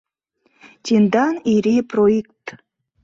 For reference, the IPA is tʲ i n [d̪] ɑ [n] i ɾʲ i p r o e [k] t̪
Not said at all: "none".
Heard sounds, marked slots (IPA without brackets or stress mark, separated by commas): d̪, n, k